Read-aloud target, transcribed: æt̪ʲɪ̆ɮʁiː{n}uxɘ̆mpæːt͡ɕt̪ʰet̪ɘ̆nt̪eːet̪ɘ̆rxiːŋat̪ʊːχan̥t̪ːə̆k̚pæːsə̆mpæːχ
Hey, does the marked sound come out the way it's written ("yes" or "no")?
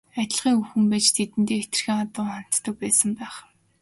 no